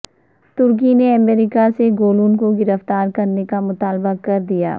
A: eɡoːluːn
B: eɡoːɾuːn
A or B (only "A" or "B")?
A